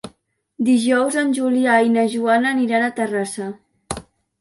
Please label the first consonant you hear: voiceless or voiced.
voiced